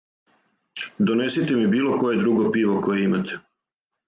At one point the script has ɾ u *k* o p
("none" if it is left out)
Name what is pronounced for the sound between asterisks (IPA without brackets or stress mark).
ɡ